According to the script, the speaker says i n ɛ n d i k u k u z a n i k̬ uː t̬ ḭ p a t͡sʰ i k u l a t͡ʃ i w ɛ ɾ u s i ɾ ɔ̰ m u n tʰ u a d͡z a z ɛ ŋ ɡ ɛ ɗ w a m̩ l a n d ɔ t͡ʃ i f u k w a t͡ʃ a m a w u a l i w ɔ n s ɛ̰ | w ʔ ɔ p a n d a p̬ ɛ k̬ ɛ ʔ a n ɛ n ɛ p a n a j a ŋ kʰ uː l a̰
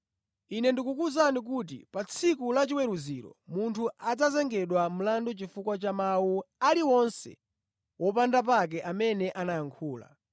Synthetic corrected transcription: i n ɛ n d i k u k u z a n i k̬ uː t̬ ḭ p a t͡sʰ i k u l a t͡ʃ i w ɛ ɾ u z i ɾ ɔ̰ m u n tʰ u a d͡z a z ɛ ŋ ɡ ɛ ɗ w a m̩ l a n d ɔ t͡ʃ i f u k w a t͡ʃ a m a w u a l i w ɔ n s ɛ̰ | w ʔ ɔ p a n d a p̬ a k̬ ɛ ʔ a m ɛ n ɛ ʔ a n a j a ŋ kʰ uː l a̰